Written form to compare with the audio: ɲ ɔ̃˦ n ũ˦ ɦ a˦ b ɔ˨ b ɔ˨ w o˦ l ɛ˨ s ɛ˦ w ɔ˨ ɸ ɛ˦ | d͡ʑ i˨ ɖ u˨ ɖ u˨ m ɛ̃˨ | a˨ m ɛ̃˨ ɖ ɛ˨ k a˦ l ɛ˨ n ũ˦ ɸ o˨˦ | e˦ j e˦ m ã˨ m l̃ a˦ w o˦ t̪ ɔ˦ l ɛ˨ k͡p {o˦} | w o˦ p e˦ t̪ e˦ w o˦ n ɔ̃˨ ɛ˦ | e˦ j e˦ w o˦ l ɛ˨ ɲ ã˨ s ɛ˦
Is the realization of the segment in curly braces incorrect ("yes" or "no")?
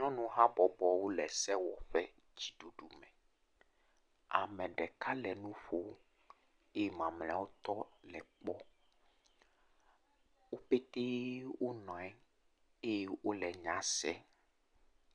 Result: yes